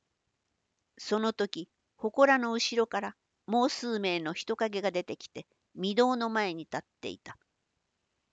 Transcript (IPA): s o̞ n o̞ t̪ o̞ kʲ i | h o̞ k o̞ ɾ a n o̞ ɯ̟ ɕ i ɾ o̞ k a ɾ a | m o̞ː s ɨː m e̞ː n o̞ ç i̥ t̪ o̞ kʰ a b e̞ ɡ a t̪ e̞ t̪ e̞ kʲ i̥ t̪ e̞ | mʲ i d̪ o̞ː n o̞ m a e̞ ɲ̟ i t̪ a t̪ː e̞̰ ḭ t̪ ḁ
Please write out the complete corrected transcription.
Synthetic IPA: s o̞ n o̞ t̪ o̞ kʲ i | h o̞ k o̞ ɾ a n o̞ ɯ̟ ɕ i ɾ o̞ k a ɾ a | m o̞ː s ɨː m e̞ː n o̞ ç i̥ t̪ o̞ k a ɡ e̞ ɡ a d̪ e̞ t̪ e̞ kʲ i̥ t̪ e̞ | mʲ i d̪ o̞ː n o̞ m a e̞ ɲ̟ i t̪ a t̪ː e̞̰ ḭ t̪ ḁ